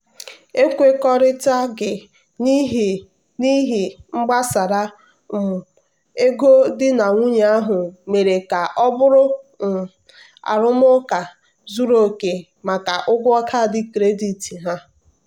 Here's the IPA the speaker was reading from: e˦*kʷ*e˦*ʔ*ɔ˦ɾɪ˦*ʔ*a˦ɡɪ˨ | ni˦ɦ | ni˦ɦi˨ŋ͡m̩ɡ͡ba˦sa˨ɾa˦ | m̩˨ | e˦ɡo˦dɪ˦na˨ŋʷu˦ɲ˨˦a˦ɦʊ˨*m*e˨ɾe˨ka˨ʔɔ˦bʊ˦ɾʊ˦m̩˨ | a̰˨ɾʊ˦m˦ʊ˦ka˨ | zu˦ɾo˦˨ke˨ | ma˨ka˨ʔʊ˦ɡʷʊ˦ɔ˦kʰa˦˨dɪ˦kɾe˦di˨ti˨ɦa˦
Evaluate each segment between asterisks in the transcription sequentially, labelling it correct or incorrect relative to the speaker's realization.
correct, incorrect: k, incorrect: t, correct

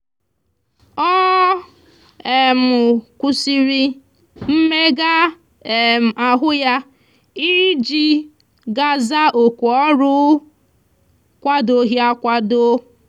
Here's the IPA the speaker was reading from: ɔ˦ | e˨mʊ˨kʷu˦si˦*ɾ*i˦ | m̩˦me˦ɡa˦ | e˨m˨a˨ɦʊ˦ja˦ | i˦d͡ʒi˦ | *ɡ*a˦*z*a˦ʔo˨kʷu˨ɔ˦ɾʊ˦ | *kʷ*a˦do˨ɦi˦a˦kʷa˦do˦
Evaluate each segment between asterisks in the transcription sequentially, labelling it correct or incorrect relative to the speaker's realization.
correct, correct, correct, correct

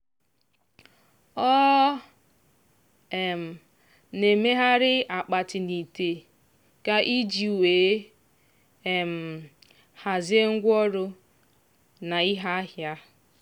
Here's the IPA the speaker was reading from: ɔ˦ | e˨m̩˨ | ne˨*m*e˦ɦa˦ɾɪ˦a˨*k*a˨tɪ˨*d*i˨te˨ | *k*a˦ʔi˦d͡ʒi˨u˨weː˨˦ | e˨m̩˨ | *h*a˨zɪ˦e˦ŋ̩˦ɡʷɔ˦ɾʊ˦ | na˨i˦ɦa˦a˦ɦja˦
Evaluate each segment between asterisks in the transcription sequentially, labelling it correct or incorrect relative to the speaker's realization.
correct, incorrect: k͡p, incorrect: n, correct, correct

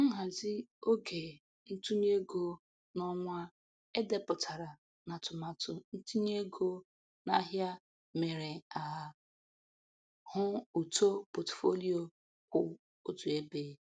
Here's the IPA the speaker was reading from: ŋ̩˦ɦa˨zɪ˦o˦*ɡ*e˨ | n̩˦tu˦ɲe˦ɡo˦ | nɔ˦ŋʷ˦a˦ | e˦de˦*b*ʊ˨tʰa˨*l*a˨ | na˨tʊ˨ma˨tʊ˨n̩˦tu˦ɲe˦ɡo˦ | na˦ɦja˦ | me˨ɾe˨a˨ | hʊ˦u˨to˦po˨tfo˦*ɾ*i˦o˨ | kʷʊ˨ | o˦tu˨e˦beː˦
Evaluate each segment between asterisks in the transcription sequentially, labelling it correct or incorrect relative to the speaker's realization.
correct, incorrect: p, incorrect: ɾ, incorrect: l

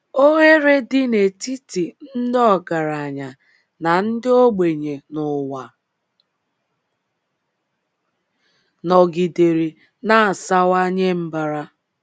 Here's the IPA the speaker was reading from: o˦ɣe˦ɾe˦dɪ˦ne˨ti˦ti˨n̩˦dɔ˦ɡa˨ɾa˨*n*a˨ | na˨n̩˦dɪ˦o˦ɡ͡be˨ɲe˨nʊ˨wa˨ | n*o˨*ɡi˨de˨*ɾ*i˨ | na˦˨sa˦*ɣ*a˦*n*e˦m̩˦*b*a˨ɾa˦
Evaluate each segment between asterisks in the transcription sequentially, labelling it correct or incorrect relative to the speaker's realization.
incorrect: ɲ, incorrect: ɔ˨, correct, incorrect: w, incorrect: ɲ, correct

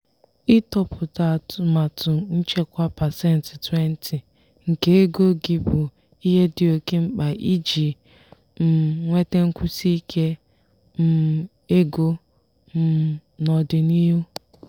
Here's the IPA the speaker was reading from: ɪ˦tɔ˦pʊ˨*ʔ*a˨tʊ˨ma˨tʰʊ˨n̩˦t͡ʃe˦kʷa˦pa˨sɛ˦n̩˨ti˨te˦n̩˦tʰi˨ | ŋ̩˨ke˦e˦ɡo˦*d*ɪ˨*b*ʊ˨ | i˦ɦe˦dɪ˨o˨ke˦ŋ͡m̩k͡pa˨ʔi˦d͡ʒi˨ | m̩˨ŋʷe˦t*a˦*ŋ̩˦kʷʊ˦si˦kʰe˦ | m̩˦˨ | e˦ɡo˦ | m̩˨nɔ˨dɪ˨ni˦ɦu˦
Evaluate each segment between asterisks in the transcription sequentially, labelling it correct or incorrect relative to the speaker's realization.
incorrect: t, incorrect: ɡ, correct, incorrect: e˦

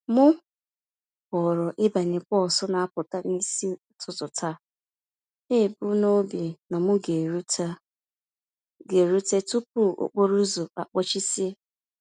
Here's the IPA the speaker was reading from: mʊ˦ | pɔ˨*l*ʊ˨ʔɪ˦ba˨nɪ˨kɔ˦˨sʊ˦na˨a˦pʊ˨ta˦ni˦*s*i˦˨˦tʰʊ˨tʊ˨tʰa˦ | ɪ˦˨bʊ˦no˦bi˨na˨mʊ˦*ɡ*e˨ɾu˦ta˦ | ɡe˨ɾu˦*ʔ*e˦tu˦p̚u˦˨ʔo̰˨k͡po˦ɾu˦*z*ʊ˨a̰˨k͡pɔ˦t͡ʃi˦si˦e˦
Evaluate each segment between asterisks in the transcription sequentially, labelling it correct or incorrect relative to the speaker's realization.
incorrect: ɾ, correct, correct, incorrect: t, correct

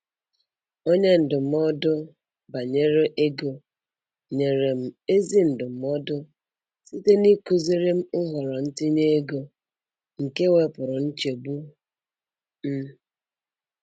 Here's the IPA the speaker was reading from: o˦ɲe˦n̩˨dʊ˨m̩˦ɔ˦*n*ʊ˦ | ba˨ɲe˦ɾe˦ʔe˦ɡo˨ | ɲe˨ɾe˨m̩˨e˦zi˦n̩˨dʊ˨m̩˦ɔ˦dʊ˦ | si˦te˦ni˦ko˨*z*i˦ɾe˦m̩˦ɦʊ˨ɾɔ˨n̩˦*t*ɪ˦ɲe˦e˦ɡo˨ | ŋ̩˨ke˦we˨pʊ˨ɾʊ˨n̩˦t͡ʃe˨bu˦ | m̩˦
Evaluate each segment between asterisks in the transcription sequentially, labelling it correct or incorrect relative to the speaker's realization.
incorrect: d, correct, correct

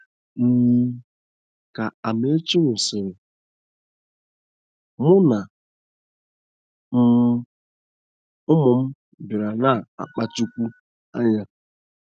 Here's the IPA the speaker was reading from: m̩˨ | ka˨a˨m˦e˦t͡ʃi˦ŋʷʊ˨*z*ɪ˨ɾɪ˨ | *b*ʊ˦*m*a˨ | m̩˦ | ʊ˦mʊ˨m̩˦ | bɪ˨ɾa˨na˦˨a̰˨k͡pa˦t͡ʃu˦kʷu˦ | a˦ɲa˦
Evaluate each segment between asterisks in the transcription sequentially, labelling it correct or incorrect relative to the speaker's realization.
incorrect: s, incorrect: m, incorrect: n

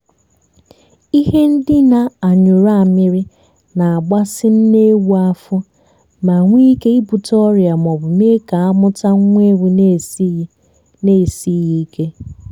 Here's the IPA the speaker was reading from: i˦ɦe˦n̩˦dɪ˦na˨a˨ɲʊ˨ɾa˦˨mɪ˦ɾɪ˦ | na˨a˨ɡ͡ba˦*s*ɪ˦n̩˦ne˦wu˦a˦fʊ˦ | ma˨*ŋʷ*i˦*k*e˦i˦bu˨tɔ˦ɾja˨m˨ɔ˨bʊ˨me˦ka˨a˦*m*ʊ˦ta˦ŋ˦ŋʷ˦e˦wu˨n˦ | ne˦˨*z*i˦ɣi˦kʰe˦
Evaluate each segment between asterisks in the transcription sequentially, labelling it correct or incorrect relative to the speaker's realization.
correct, correct, correct, correct, incorrect: s

